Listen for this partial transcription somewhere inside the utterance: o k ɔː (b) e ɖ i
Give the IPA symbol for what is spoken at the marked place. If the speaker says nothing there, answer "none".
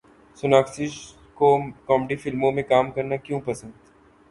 m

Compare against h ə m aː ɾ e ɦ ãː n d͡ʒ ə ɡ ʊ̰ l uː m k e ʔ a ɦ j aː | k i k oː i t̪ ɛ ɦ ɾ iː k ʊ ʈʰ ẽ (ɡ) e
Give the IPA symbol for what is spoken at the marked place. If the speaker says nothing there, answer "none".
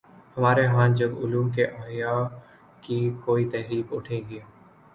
ɡ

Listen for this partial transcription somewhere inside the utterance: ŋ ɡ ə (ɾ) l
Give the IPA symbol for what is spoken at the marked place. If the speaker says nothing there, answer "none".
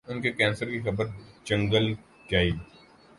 none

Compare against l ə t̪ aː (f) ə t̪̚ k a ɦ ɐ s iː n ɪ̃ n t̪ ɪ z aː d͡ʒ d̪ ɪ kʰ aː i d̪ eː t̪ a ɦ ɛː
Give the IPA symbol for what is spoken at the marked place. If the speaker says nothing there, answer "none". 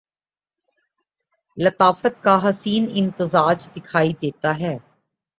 f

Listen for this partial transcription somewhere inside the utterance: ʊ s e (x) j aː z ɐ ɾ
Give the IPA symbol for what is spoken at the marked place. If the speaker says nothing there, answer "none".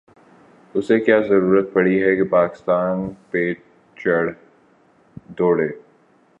k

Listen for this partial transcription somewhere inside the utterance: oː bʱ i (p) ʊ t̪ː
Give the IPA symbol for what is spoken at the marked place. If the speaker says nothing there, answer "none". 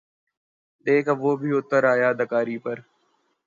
none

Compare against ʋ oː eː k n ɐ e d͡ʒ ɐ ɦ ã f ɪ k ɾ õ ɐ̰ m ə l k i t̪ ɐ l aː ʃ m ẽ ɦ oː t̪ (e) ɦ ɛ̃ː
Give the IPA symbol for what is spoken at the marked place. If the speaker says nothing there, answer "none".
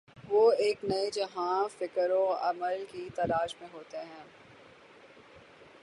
e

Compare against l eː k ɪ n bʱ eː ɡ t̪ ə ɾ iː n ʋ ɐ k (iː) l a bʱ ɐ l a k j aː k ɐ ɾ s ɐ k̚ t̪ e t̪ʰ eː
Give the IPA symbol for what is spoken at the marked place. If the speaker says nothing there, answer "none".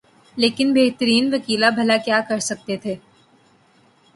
iː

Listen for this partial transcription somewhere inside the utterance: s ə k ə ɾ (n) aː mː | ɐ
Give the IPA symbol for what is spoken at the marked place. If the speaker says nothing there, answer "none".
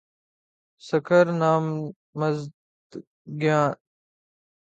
n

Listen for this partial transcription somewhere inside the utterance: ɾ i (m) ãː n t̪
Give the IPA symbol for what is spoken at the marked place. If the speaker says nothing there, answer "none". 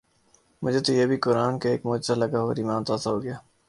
m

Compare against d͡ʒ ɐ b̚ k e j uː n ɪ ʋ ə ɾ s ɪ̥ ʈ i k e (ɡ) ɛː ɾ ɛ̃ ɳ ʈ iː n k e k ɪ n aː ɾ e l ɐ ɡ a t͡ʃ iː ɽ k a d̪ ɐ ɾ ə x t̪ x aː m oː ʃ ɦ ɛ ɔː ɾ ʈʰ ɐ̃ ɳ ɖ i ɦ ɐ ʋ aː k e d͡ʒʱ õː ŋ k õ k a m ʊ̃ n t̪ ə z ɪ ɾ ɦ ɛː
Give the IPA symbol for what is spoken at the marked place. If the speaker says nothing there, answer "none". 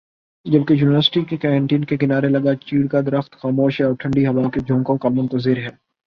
k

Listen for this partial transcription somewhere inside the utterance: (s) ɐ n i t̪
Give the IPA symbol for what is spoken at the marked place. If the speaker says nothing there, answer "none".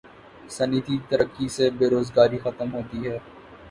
s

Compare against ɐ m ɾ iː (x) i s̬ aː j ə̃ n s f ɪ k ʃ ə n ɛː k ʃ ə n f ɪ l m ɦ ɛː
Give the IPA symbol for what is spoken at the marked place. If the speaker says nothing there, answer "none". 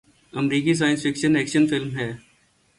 k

